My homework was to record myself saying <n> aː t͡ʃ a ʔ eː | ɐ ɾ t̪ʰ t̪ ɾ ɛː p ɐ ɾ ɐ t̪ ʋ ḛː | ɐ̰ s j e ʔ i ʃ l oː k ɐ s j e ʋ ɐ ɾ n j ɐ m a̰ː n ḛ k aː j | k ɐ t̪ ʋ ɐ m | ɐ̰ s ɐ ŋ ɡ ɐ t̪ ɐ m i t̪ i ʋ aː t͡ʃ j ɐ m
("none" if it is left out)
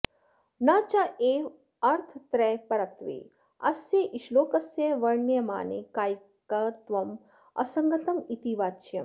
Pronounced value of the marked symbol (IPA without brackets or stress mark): n